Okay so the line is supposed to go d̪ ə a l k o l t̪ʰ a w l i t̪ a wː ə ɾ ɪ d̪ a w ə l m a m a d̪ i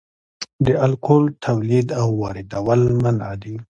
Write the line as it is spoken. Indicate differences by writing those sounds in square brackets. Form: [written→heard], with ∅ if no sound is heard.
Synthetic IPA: d̪ ə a l k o l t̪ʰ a w l i [t̪→d̪] a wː [ə→ɑ] ɾ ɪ d̪ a w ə l m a [m→n] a d̪ i